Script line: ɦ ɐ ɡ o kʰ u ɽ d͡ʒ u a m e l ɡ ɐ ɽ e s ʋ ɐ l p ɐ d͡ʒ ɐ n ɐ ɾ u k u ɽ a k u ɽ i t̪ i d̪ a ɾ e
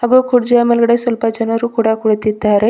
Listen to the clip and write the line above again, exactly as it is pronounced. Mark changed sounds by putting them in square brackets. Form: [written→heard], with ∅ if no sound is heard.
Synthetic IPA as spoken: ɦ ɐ ɡ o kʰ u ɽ d͡ʒ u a m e l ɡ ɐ ɽ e s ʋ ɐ l p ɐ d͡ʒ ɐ n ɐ ɾ u k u ɽ a k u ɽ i t̪ i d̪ a ɾ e